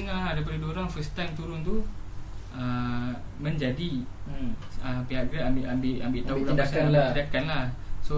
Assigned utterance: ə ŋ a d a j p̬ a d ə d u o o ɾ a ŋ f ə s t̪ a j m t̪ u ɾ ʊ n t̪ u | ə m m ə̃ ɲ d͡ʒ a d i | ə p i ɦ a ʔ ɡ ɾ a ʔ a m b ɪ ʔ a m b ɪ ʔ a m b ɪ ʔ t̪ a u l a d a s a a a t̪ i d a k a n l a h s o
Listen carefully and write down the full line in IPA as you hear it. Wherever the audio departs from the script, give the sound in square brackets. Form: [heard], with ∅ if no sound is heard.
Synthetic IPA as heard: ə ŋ a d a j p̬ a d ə d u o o ɾ a ŋ f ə s t̪ a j m t̪ u ɾ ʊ n t̪ u | ə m m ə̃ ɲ d͡ʒ a d i | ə p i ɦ a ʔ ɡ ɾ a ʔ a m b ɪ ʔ a m b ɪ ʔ a m b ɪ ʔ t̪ a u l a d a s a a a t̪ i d a k a n l a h s o